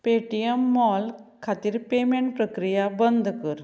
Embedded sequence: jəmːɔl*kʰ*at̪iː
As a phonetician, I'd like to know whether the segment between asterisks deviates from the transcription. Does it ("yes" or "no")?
no